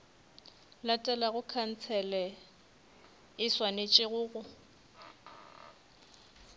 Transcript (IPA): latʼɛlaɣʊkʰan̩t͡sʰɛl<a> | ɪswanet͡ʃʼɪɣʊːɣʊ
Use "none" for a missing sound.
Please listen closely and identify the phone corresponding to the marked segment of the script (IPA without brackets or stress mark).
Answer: ɛ